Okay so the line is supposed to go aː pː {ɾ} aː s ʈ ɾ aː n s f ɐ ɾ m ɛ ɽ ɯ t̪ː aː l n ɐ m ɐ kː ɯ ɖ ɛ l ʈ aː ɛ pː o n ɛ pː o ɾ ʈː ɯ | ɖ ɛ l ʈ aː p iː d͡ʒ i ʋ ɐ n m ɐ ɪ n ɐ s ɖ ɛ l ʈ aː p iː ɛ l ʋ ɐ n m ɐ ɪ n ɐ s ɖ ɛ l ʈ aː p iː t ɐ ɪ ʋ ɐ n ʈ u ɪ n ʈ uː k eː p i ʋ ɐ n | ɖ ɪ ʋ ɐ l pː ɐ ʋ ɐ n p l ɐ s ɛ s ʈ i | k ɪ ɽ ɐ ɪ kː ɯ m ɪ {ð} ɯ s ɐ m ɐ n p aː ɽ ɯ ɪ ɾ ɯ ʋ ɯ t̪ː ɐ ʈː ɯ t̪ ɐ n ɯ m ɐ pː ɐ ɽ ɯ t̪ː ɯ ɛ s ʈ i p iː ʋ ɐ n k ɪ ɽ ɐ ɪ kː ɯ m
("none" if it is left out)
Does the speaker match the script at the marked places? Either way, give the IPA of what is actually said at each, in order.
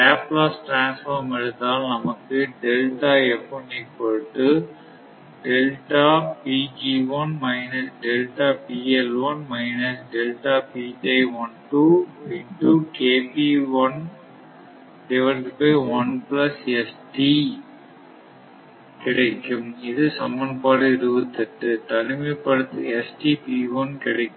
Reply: l, ð

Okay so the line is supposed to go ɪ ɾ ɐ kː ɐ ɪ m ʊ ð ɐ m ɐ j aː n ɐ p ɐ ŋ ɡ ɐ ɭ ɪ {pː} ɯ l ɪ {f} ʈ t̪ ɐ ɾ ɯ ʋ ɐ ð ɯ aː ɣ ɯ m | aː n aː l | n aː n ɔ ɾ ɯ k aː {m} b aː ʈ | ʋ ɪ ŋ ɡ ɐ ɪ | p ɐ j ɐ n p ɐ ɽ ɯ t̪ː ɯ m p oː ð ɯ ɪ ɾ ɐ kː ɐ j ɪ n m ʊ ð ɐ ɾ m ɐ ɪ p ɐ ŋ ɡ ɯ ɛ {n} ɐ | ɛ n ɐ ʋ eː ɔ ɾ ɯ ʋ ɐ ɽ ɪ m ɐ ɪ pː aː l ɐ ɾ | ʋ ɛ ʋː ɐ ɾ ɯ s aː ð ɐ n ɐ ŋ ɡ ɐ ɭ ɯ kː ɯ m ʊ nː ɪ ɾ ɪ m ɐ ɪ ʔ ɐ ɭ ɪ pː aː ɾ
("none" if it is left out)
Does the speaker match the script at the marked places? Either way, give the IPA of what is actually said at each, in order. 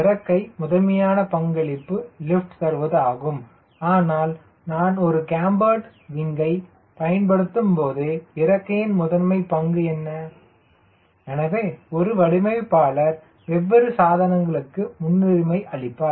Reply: pː, f, m, nː

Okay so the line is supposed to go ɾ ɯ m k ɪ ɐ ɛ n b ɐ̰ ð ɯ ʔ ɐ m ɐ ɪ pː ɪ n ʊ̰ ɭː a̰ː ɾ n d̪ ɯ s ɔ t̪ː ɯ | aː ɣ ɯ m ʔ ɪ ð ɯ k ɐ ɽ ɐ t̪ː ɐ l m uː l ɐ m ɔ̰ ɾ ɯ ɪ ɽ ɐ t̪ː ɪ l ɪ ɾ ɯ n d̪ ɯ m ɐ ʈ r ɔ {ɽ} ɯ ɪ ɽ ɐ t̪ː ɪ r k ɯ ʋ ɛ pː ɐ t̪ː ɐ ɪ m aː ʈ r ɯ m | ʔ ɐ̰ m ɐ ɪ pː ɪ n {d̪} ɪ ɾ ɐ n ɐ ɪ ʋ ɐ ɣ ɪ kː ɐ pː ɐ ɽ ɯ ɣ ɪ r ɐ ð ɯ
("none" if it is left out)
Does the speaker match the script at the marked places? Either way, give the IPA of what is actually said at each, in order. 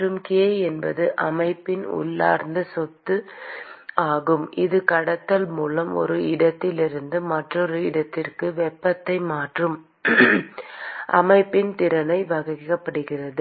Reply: ɾ, t̪

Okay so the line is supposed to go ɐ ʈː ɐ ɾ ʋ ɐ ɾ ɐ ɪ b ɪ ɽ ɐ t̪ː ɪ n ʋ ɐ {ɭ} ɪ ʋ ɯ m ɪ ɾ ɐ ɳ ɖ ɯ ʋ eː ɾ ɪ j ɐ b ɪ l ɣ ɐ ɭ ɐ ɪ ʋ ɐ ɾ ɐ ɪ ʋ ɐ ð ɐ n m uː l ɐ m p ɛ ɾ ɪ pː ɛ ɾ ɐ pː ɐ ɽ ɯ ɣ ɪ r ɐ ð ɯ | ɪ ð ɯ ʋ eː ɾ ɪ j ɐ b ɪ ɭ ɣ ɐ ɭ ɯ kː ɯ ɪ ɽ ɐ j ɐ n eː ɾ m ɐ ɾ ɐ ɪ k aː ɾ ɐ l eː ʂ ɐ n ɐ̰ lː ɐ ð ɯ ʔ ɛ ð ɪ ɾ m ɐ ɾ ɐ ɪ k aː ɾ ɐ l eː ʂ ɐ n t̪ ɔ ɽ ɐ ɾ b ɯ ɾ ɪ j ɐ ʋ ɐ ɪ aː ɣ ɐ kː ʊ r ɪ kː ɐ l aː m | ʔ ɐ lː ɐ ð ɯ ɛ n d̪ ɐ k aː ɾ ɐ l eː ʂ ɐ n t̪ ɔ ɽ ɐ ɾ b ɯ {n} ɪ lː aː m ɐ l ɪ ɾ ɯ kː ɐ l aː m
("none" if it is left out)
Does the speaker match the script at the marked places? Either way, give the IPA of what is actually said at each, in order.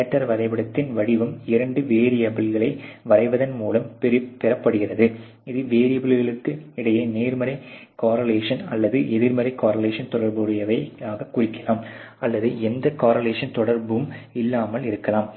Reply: ɽ, m

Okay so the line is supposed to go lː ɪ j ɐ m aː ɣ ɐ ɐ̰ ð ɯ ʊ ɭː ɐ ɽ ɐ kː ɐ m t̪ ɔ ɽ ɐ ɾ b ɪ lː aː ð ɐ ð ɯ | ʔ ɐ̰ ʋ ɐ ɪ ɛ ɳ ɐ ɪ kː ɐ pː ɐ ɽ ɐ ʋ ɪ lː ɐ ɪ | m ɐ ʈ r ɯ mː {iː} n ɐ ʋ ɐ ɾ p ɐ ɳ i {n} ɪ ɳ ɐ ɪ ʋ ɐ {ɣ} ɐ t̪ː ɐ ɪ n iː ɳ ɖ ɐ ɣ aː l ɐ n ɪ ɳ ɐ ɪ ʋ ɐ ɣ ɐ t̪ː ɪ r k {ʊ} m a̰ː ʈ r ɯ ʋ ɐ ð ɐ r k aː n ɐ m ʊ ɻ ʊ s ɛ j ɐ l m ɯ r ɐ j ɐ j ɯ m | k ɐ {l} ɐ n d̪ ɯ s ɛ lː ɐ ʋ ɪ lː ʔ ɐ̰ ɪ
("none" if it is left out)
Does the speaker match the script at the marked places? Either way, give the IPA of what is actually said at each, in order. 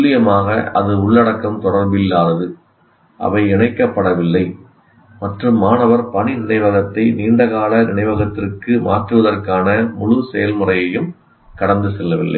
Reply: aː, n, ɣ, ɯ, ɽ

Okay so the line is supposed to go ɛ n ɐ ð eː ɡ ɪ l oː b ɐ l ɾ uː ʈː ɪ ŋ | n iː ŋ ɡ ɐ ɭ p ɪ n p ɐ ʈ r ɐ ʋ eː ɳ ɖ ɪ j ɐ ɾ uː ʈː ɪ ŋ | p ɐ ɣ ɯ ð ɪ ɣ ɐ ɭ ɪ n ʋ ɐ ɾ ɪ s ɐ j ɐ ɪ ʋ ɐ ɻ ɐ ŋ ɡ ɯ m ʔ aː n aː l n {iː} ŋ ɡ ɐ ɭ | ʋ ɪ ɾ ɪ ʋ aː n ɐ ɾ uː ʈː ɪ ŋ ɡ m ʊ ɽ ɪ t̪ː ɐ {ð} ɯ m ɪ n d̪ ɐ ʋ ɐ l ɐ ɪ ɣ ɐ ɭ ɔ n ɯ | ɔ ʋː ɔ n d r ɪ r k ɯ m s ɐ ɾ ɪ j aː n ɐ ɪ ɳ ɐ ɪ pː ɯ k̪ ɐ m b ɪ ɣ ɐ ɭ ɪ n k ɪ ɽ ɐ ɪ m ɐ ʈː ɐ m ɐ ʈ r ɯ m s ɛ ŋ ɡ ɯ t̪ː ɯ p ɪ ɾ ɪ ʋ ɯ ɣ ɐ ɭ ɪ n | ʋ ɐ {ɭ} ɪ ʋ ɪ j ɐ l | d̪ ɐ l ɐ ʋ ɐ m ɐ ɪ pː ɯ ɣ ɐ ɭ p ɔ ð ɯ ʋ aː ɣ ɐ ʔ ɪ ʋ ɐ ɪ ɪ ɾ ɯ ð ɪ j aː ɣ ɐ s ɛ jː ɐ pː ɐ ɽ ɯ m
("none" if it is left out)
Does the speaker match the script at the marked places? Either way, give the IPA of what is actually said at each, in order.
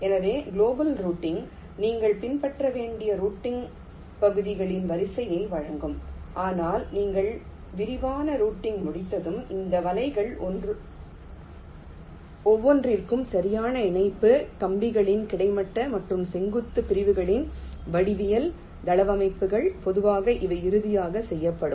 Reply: iː, ð, ɽ

